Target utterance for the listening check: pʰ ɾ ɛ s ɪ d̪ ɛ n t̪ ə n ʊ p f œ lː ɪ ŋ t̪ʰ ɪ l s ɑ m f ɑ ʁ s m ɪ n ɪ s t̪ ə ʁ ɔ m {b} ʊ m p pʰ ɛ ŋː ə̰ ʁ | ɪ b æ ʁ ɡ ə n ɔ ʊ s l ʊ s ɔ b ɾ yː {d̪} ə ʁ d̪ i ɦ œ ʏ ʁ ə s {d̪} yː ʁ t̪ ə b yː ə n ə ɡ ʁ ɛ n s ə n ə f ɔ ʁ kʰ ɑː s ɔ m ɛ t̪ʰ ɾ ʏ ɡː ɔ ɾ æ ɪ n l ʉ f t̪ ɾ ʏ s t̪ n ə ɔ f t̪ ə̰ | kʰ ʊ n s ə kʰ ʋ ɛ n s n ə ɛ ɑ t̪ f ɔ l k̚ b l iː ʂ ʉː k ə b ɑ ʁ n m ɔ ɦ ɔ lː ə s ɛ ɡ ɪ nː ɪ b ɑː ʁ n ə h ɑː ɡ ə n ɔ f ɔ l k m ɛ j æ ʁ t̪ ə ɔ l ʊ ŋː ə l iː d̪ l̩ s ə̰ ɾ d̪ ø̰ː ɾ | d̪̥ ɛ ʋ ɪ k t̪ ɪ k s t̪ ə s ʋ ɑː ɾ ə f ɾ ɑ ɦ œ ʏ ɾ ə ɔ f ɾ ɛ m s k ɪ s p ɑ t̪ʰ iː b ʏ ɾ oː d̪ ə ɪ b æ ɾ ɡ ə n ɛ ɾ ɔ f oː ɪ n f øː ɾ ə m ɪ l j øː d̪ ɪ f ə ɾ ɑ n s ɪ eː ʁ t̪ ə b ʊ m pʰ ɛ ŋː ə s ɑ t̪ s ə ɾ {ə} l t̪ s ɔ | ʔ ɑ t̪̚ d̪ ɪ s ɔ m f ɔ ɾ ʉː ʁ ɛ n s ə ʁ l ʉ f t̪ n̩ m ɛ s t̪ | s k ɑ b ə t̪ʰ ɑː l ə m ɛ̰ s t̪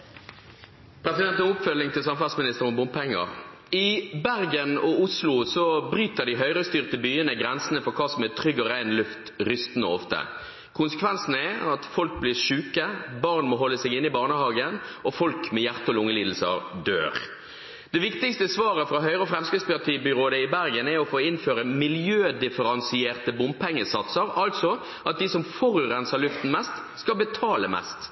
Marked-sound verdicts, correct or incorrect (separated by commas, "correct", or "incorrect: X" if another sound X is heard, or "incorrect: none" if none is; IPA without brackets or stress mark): correct, incorrect: t̪, incorrect: t̪, incorrect: ɑ